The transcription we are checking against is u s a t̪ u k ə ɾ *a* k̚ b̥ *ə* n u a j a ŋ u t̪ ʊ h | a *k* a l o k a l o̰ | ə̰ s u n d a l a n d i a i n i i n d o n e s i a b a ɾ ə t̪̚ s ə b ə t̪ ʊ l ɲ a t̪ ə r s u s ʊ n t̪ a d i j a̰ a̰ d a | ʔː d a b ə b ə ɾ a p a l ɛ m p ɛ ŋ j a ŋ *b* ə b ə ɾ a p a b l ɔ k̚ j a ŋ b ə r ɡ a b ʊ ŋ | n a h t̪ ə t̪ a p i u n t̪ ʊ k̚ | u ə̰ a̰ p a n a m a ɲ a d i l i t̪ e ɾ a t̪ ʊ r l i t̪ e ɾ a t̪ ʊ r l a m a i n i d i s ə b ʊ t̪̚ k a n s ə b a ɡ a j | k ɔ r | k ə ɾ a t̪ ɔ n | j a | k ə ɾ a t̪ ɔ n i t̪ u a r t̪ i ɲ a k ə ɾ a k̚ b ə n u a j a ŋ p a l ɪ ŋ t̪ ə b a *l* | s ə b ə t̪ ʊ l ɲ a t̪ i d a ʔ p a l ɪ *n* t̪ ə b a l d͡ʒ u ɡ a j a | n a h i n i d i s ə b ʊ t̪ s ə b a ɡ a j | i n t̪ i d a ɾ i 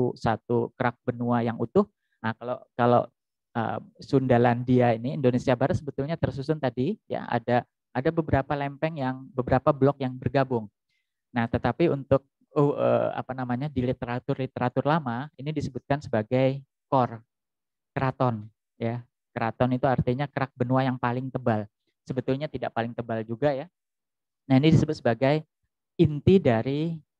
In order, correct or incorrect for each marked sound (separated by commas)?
correct, correct, correct, correct, correct, incorrect